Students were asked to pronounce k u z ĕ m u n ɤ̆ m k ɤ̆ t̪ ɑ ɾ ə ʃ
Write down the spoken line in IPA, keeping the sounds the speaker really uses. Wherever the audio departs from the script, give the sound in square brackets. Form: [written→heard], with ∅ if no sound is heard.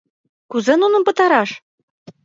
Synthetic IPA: k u z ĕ [m→n] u n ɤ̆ m [k→p] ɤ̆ t̪ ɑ ɾ [ə→ɑ] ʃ